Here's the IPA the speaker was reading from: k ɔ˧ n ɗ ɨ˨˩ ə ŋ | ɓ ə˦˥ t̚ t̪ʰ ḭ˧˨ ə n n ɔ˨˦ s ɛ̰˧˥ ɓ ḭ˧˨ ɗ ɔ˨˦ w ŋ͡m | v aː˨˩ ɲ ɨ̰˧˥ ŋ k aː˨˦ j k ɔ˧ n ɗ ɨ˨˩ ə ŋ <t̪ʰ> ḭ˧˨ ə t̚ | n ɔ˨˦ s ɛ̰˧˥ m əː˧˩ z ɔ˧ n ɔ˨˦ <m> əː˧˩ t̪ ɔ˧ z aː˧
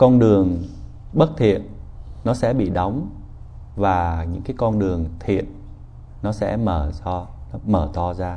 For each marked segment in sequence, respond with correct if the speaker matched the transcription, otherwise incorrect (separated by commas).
correct, correct